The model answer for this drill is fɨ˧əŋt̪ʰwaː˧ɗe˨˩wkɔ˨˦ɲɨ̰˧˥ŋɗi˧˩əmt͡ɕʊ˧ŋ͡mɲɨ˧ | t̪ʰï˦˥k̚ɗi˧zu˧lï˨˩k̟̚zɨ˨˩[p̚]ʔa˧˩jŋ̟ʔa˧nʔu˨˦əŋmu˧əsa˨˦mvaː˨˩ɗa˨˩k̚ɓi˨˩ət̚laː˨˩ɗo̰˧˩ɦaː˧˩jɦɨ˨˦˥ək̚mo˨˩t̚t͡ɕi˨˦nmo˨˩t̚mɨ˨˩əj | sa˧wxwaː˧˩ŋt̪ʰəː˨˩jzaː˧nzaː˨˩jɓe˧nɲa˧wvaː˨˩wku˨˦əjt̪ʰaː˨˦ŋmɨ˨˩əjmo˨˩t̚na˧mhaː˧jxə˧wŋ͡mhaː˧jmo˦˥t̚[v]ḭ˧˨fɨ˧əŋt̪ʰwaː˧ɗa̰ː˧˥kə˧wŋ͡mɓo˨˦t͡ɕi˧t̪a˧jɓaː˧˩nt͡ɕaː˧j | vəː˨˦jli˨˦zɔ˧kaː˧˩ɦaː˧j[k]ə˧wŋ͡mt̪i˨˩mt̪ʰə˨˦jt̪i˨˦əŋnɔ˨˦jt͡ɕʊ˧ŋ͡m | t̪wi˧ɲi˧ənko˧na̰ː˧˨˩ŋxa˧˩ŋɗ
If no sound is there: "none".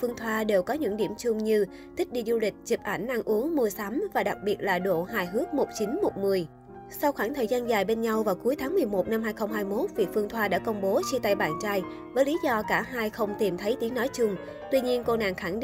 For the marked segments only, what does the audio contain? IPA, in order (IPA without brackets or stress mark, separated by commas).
p̚, v, x